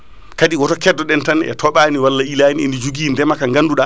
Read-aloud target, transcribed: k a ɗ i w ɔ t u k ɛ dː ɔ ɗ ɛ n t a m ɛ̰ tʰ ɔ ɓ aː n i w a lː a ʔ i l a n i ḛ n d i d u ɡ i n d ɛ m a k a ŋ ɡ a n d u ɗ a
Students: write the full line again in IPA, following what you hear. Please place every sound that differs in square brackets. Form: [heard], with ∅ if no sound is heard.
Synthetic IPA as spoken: k a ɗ i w ɔ t [ɔ] k ɛ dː ɔ ɗ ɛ n t a [n] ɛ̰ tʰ ɔ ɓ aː n i w a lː a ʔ i l a n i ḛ n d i [d͡ʒ] u ɡ i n d ɛ m a k a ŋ ɡ a n d u ɗ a

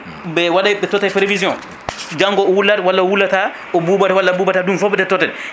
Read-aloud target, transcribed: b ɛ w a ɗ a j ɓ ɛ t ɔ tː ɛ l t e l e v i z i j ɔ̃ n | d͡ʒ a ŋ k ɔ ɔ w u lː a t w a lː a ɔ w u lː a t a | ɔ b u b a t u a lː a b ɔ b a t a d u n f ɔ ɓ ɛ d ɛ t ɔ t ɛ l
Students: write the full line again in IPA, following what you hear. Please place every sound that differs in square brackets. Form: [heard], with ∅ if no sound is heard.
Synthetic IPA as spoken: b ɛ w a ɗ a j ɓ ɛ t ɔ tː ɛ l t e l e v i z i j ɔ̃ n | d͡ʒ a ŋ [ɡ] ɔ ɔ w u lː a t w a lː a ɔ w u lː a t a | ɔ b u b a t [w] a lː a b [u] b a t a d u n f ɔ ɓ ɛ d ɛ t ɔ t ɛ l

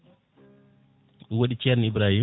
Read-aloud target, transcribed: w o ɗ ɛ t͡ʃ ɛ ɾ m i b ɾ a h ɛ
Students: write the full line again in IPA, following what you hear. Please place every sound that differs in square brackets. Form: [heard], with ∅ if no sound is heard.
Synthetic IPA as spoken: w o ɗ [i] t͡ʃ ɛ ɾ [n] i b ɾ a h [i]

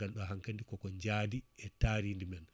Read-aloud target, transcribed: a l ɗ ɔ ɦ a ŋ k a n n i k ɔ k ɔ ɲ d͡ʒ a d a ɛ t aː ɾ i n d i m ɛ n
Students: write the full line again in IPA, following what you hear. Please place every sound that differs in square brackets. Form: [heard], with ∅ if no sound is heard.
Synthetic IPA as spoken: a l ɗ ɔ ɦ a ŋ k a n [d] i k ɔ k ɔ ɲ d͡ʒ a d [i] ɛ t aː ɾ i n d i m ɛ n

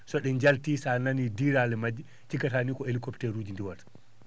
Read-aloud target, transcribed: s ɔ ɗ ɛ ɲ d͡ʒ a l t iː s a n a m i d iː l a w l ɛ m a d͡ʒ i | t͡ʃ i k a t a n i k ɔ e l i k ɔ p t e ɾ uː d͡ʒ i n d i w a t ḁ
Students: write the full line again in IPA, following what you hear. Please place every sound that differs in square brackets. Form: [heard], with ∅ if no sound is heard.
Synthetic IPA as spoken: s ɔ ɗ ɛ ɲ d͡ʒ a l t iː s a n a [n] i d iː [ɾ] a [∅] l ɛ m a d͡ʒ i | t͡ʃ i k a t a n i k ɔ e l i k ɔ p t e ɾ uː d͡ʒ i n d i w a t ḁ

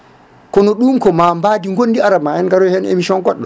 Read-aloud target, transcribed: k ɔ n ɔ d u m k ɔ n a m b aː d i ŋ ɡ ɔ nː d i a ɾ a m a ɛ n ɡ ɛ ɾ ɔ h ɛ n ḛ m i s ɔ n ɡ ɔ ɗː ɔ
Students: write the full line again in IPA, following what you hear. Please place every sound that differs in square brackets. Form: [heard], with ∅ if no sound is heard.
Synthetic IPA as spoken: k ɔ n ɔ [ɗ] u m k ɔ [m] a m b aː d i ŋ ɡ [o] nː d i a ɾ a m a ɛ n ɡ [a] ɾ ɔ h ɛ n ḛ m i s ɔ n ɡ ɔ ɗː ɔ

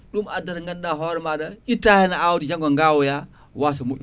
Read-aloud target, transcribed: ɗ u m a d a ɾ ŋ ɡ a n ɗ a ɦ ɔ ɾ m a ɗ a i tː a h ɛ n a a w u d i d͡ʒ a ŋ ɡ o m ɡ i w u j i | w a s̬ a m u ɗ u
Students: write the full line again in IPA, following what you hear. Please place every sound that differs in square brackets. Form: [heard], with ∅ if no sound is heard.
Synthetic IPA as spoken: ɗ u m a d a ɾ ŋ ɡ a n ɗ a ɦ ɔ ɾ m a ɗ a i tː a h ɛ n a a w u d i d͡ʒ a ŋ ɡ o [ŋ] ɡ [a] w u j [a] | w a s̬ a m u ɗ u

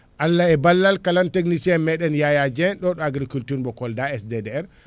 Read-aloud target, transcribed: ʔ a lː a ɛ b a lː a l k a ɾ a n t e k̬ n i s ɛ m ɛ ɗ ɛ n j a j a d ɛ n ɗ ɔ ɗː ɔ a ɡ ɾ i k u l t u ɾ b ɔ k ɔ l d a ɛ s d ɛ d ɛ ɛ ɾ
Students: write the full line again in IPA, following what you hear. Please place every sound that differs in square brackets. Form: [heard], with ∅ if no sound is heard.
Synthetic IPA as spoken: ʔ a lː a ɛ b a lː a l k a [l] a n t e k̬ n i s ɛ m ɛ ɗ ɛ n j a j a [d͡ʒ] ɛ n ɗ ɔ [ɗ] ɔ a ɡ ɾ i k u l t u ɾ b ɔ k ɔ l d a ɛ s d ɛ d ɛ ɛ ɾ

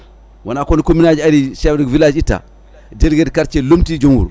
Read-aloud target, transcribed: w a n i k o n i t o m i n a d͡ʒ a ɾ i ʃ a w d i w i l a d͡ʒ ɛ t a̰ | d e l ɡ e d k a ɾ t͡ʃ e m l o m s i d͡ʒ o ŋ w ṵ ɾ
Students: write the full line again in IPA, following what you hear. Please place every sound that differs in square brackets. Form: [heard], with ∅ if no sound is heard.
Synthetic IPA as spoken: w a n [a] k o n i [k] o m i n a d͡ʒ a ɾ i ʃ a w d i [v] i l a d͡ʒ [i] t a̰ | d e l ɡ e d k a ɾ t͡ʃ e [∅] l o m [t] i d͡ʒ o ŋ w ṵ ɾ

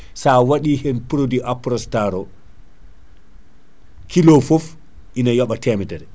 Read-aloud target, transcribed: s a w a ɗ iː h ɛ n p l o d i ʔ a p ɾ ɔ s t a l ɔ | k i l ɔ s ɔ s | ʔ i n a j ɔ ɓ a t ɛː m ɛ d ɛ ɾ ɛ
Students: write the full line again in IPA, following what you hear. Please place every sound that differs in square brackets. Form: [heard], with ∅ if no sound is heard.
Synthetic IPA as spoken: s a w a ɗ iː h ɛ n p [ɾ] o d i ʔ a p ɾ ɔ s t a [ɾ] ɔ | k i l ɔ [f] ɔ [f] | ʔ i n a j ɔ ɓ a t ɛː m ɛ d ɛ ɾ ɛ

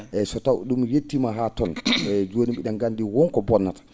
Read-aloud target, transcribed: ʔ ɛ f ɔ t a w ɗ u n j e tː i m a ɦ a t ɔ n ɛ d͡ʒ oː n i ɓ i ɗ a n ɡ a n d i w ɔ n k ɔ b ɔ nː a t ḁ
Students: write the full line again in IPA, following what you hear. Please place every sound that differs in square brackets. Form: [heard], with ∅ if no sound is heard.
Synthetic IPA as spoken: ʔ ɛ [s] ɔ t a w ɗ u [m] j e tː i m a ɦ a t ɔ n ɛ d͡ʒ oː n i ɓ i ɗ a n ɡ a n d i w ɔ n k ɔ b ɔ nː a t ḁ

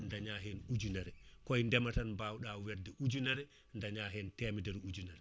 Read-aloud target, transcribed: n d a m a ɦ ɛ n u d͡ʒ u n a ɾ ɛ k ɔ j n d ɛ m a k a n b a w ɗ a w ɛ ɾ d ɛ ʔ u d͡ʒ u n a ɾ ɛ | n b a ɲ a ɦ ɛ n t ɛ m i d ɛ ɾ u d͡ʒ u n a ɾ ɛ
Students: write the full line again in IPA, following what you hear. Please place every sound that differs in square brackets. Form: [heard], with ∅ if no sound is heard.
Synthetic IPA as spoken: n d a [ɲ] a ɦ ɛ n u d͡ʒ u n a ɾ ɛ k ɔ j n d ɛ m a [t] a n b a w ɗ a w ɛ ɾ d ɛ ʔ u d͡ʒ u n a ɾ ɛ | n [d] a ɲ a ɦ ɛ n t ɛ m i d ɛ ɾ u d͡ʒ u n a ɾ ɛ

